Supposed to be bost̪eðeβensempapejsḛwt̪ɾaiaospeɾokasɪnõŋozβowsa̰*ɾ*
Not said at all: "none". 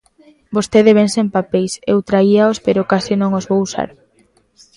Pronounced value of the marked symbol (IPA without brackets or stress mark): ɾ